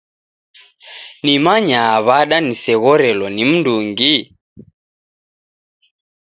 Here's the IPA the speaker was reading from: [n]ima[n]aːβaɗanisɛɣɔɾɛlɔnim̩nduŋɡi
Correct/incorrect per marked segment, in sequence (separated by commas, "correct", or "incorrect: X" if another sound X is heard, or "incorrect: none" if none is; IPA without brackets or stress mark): correct, incorrect: ɲ